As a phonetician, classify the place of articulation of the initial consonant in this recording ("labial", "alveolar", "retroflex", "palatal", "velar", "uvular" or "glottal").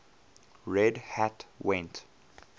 alveolar